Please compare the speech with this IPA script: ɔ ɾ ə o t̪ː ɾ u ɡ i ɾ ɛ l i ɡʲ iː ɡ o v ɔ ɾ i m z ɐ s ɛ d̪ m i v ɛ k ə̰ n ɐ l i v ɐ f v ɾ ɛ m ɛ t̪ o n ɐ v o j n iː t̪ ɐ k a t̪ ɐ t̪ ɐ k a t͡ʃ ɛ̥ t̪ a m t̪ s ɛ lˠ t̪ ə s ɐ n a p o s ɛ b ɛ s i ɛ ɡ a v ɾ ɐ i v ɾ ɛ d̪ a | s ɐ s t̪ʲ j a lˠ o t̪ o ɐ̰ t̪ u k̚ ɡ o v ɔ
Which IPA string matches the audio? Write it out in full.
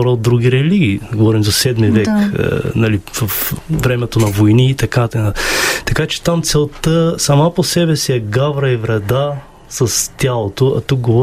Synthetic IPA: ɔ ɾ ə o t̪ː ɾ u ɡ i ɾ ɛ l i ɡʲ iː ɡ o v ɔ ɾ i m z ɐ s ɛ d̪ m i v ɛ k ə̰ n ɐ l i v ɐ f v ɾ ɛ m ɛ t̪ o n ɐ v o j n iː t̪ ɐ k a t̪ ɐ t̪ ɐ k a t͡ʃ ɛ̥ t̪ a m t̪ s ɛ lˠ t̪ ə s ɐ m a p o s ɛ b ɛ s i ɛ ɡ a v ɾ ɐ i v ɾ ɛ d̪ a | s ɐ s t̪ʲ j a lˠ o t̪ o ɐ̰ t̪ u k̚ ɡ o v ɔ